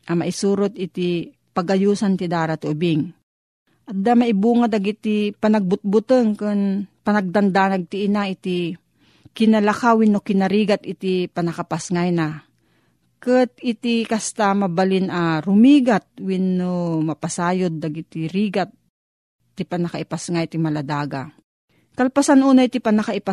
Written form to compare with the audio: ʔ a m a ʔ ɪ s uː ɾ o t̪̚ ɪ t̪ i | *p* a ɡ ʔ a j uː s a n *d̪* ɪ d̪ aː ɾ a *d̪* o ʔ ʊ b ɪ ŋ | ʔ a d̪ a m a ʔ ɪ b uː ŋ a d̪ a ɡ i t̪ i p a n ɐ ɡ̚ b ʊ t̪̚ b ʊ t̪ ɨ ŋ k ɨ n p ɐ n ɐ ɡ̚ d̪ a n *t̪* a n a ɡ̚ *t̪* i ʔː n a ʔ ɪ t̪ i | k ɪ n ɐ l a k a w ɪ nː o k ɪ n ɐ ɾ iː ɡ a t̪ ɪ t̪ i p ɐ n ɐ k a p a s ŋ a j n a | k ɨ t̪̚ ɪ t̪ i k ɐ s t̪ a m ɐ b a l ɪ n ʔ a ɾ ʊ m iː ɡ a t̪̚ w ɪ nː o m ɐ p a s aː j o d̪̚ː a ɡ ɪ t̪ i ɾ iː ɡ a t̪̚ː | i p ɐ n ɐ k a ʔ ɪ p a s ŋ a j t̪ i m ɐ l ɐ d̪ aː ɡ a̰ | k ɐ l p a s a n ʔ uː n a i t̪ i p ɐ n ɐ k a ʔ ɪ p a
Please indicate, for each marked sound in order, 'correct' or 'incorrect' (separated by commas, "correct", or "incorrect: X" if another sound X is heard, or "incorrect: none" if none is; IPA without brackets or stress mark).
correct, incorrect: t̪, incorrect: t̪, incorrect: d̪, correct